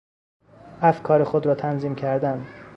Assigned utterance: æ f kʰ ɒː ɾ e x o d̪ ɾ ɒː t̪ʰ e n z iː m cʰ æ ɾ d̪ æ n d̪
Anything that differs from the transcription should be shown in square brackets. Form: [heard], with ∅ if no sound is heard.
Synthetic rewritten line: æ f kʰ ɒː ɾ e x o d̪ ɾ ɒː t̪ʰ [æ] n z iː m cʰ æ ɾ d̪ æ n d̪